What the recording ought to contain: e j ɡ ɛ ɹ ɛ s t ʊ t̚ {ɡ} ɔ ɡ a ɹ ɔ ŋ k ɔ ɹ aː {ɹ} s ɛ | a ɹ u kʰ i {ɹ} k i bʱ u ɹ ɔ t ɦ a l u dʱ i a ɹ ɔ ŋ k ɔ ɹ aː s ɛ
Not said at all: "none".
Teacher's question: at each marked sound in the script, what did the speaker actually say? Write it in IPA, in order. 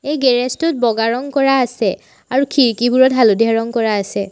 b, none, ɹ

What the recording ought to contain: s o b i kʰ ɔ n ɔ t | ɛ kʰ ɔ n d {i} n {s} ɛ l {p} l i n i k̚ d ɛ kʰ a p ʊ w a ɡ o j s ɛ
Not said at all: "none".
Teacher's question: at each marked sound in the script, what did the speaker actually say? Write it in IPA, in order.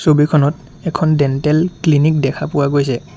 ɛ, t, k

